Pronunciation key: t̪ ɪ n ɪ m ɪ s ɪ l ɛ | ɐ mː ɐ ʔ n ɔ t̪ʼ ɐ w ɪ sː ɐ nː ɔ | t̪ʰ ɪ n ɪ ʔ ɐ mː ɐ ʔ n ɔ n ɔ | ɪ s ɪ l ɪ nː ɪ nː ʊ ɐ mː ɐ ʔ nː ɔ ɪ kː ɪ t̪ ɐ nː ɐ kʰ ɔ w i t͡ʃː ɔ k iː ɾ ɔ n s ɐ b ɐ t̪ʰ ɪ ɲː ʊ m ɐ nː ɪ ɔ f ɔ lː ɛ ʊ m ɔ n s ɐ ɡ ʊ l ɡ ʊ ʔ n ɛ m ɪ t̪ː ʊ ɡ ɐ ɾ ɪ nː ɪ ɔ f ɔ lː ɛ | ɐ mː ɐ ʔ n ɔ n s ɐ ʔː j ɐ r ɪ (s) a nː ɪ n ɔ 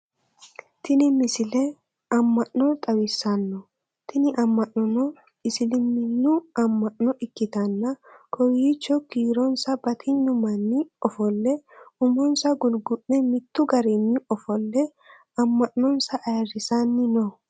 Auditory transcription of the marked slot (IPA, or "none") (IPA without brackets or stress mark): s